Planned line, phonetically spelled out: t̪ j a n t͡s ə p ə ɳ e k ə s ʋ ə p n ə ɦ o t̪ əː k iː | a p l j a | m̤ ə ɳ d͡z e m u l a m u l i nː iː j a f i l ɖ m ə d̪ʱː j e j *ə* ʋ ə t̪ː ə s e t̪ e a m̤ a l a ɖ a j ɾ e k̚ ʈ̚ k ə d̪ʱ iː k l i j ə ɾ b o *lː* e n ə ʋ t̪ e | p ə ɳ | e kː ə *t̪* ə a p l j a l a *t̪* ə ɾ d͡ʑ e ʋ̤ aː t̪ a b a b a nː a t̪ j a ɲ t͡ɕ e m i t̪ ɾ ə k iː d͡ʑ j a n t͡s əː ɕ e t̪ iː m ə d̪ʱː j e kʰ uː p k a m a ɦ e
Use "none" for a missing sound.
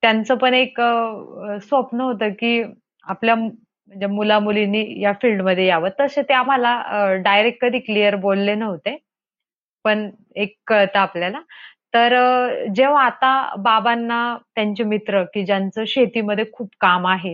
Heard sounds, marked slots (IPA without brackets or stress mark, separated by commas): a, lː, t̪, t̪